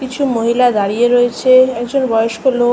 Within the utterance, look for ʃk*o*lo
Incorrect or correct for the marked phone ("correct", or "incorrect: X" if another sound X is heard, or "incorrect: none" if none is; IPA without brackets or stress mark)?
correct